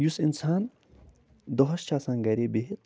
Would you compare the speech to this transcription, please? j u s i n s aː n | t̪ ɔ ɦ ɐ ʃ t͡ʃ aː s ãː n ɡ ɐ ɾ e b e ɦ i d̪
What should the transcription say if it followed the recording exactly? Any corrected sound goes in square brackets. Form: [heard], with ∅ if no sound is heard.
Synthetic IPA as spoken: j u s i n s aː n | [d̪] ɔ ɦ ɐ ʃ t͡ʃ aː s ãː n ɡ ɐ ɾ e b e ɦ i [t̪]